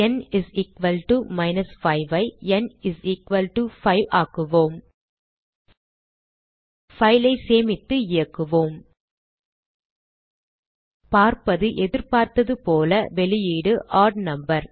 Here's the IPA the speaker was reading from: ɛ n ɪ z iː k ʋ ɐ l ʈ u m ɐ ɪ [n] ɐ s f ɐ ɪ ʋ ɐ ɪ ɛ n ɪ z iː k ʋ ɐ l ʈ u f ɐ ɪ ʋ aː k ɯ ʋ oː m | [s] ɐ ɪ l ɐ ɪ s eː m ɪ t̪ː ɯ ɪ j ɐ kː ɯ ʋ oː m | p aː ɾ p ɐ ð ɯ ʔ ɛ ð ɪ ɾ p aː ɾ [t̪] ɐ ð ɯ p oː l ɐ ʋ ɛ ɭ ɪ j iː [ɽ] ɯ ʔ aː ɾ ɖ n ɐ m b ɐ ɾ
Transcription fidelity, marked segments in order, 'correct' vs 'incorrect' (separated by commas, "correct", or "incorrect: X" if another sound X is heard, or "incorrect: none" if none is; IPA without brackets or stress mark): correct, incorrect: f, correct, correct